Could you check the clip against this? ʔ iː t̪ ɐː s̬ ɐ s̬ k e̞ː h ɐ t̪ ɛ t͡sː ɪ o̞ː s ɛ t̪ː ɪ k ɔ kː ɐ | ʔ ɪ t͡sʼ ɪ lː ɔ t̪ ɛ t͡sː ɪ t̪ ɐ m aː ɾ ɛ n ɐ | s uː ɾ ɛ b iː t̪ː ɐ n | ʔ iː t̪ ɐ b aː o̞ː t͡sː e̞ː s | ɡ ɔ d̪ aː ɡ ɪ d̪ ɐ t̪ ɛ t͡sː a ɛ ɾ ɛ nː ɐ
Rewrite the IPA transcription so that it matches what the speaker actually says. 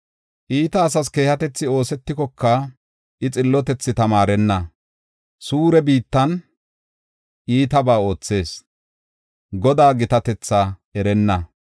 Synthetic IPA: ʔ iː t̪ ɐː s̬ ɐ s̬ k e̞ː h ɐ t̪ ɛ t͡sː ɪ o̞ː s ɛ t̪ː ɪ k ɔ kː ɐ | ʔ ɪ t͡sʼ ɪ lː ɔ t̪ ɛ t͡sː ɪ t̪ ɐ m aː ɾ ɛ nː ɐ | s uː ɾ ɛ b iː t̪ː ɐ n | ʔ iː t̪ ɐ b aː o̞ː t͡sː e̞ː s | ɡ ɔ d̪ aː ɡ ɪ t̪ ɐ t̪ ɛ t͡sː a ɛ ɾ ɛ nː ɐ